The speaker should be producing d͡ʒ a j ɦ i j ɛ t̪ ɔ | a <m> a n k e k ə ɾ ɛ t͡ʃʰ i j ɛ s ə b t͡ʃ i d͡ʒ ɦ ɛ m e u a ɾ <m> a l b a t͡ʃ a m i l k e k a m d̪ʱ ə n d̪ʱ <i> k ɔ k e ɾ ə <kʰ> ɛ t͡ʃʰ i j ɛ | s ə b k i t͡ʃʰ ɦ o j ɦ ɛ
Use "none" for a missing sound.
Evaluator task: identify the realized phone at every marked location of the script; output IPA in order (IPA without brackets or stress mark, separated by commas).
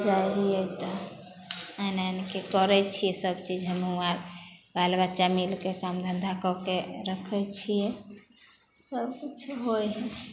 n, b, a, kʰ